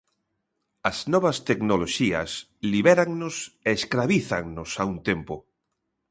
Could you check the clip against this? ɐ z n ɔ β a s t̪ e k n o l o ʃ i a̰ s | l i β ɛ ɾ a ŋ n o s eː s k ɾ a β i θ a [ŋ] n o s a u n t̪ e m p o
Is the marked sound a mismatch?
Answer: no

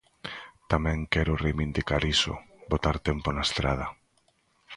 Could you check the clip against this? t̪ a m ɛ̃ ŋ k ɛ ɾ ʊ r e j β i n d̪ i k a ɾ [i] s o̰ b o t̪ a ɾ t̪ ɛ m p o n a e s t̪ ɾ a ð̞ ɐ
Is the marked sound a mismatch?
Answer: no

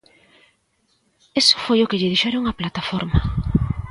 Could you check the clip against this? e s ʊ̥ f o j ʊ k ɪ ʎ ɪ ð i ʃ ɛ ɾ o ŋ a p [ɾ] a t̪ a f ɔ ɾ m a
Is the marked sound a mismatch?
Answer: yes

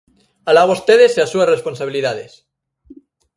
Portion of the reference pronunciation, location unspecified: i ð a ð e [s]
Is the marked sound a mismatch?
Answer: no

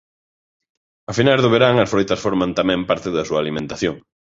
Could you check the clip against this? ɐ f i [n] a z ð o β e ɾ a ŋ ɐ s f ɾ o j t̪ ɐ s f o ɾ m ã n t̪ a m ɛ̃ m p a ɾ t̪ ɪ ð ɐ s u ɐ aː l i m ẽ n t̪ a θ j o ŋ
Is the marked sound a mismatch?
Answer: no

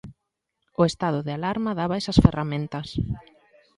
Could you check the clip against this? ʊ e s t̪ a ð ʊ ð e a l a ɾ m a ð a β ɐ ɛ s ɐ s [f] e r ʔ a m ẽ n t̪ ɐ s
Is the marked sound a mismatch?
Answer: no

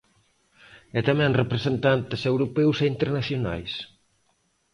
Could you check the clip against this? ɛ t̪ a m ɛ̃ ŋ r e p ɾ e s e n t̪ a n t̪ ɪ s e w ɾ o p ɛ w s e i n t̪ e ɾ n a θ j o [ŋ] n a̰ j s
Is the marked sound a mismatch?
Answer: yes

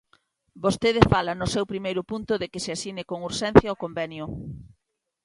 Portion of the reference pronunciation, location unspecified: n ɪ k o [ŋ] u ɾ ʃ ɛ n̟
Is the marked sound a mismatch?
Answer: no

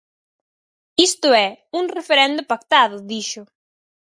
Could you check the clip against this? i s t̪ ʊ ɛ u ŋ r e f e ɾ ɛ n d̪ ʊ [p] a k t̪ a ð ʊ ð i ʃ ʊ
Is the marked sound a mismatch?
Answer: no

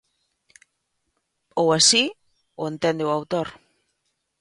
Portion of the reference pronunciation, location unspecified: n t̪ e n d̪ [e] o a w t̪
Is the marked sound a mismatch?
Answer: no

